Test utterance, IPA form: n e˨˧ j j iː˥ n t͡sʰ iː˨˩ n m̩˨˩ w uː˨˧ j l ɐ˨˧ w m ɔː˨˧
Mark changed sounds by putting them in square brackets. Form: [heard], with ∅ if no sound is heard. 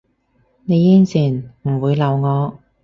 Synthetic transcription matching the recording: n e˨˧ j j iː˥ n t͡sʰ iː˨˩ n m̩˨˩ w uː˨˧ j l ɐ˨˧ w [ŋ] ɔː˨˧